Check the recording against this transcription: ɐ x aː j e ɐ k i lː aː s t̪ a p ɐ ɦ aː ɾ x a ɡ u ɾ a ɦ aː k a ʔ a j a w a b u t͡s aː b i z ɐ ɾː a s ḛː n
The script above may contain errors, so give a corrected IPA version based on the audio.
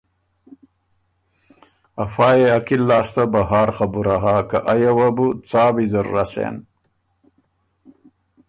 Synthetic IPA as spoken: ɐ f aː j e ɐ k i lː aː s t̪ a b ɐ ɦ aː ɾ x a b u ɾ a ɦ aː k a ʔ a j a w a b u t͡s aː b i z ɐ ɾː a s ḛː n